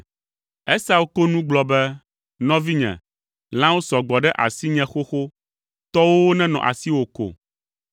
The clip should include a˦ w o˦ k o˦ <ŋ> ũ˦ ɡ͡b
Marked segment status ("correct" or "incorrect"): incorrect